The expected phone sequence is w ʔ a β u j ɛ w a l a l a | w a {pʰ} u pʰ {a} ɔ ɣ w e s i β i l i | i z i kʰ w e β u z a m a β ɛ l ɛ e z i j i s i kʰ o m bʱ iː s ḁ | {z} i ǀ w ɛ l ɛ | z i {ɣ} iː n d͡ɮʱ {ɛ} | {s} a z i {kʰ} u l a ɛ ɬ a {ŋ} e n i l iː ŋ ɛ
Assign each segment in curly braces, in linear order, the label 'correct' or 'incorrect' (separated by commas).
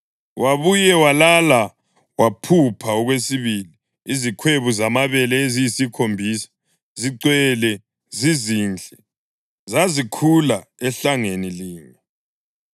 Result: correct, correct, correct, incorrect, correct, incorrect, correct, correct